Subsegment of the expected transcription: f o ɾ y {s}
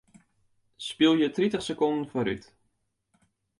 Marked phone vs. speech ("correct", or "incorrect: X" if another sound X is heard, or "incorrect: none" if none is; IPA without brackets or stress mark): incorrect: t